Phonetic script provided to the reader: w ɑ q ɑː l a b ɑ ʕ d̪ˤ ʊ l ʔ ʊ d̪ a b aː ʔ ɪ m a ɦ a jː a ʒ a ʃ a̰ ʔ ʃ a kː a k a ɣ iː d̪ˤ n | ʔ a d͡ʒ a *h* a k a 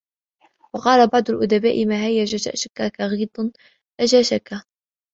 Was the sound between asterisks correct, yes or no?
no